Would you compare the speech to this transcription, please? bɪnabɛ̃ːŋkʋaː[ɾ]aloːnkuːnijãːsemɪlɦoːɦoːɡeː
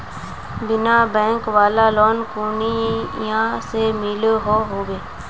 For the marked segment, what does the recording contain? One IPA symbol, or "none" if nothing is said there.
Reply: l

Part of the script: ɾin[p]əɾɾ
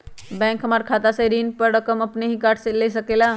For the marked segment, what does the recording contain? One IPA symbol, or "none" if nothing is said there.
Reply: p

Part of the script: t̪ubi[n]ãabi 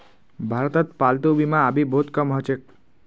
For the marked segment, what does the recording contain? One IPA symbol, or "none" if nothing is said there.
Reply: m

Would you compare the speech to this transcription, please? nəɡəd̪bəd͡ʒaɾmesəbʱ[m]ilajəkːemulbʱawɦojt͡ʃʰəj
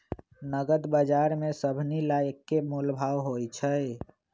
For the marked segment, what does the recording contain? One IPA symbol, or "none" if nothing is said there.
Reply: n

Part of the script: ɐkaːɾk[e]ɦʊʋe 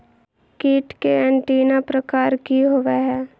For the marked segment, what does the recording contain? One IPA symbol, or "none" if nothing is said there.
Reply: i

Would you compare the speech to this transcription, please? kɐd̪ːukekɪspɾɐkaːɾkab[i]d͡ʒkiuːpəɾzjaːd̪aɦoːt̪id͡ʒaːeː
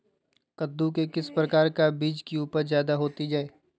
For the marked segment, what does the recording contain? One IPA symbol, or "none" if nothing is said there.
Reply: iː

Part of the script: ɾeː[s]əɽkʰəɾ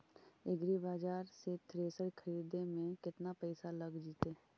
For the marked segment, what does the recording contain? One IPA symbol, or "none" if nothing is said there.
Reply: s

